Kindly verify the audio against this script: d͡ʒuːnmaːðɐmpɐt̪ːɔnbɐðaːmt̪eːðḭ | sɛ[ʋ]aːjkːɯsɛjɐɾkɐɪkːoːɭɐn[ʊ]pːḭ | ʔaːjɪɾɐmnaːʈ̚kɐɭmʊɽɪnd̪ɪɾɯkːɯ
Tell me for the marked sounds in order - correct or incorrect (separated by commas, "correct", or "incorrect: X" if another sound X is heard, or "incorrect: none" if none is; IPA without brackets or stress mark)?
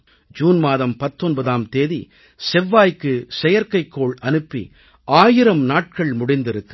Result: incorrect: ʋː, incorrect: ɯ